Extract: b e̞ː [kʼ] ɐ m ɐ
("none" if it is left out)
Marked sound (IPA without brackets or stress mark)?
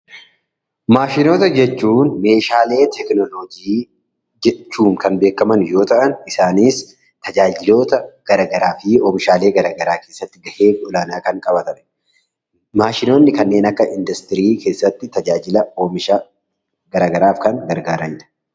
k